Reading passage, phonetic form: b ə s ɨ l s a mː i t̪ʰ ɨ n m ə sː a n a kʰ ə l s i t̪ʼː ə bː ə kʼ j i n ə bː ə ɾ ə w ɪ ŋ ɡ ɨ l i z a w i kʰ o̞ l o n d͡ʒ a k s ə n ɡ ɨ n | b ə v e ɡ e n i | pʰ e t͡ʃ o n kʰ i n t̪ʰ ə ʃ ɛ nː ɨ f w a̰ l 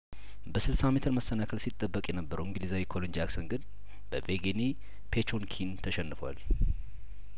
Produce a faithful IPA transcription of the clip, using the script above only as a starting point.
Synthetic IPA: b ə s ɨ l s a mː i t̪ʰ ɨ n m ə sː ə n a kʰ ə l s i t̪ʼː ə bː ə kʼ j ɛ n ə bː ə ɾ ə w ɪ ŋ ɡ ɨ l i z a w i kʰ o̞ l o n d͡ʒ a k s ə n ɡ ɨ n | b ə v e ɡ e n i | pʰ e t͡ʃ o n kʰ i n t̪ʰ ə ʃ ɛ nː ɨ f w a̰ l